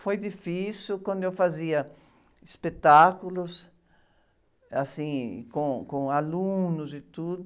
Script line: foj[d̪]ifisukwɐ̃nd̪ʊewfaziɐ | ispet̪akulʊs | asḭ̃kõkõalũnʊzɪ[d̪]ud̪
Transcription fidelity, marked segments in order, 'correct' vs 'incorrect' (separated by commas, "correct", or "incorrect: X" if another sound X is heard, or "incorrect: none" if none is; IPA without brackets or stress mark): correct, incorrect: t̪